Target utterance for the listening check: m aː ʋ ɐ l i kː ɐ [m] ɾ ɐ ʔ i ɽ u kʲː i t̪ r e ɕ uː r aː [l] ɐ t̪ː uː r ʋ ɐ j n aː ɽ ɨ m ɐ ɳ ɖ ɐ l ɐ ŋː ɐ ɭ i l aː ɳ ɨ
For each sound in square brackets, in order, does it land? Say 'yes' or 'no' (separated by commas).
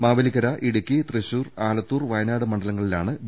no, yes